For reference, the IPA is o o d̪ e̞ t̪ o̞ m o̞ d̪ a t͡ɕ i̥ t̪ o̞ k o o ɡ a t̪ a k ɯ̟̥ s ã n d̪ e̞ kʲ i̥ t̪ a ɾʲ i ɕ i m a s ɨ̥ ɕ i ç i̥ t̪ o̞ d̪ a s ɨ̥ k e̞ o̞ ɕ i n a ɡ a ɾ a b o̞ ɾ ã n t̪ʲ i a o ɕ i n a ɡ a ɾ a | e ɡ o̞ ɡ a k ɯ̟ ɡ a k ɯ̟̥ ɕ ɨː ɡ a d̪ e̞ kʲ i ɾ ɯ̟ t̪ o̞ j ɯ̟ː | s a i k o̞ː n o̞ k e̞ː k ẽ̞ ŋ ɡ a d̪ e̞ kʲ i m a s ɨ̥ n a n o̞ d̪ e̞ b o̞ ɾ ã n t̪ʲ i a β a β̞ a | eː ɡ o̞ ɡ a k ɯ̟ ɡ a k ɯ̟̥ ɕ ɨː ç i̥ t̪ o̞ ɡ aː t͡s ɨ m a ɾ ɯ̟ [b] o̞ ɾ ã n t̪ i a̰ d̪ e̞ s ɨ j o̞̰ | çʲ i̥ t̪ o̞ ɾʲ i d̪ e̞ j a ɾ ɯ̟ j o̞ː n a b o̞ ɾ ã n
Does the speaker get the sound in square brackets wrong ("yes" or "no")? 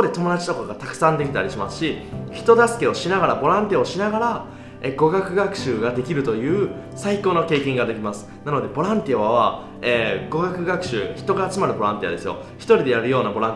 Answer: no